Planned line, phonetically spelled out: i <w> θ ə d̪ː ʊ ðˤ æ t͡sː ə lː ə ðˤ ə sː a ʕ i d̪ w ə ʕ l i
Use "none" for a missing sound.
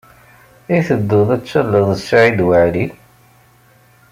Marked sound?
none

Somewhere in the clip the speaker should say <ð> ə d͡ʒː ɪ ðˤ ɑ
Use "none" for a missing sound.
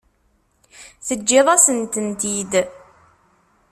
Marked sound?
θ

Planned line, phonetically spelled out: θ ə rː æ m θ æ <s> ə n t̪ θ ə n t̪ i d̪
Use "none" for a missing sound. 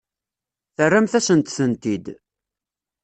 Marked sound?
s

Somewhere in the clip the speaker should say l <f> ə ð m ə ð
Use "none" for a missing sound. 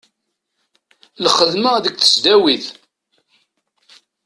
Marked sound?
χ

